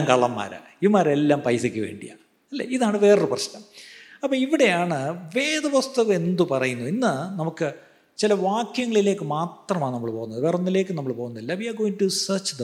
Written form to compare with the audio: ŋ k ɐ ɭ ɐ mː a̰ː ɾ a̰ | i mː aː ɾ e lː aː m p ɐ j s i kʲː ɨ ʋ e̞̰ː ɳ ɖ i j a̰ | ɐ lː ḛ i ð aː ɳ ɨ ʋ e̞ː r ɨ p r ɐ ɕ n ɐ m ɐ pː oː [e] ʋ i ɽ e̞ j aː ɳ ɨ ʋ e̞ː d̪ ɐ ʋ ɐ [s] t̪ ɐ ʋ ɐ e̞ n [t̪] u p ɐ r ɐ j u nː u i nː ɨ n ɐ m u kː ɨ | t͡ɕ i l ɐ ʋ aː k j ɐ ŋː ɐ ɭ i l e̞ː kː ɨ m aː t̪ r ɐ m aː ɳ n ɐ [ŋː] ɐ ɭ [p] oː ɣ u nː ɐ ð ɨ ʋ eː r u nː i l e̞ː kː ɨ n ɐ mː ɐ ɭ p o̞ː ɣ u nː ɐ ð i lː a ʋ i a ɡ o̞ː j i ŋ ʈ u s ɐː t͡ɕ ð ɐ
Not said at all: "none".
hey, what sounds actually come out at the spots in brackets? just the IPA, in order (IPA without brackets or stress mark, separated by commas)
i, s, d̪, mː, p